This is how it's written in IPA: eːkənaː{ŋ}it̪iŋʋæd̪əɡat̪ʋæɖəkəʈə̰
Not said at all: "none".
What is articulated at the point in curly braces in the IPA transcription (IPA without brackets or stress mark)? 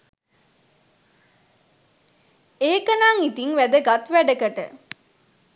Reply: ŋ